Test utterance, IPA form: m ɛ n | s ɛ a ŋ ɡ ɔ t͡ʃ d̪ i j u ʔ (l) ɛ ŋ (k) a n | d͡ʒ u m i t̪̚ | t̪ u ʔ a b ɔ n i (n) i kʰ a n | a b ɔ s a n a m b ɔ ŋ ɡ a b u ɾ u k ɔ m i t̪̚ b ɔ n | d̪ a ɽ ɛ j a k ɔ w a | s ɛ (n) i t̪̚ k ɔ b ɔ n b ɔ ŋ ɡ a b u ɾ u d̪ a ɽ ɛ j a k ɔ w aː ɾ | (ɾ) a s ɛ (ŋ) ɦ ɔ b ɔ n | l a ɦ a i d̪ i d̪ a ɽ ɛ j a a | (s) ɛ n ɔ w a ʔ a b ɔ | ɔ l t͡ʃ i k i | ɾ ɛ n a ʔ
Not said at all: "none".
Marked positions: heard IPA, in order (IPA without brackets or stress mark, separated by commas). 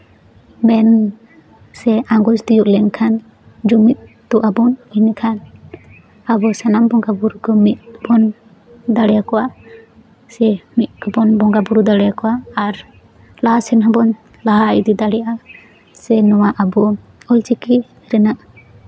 l, kʰ, n, m, l, n, s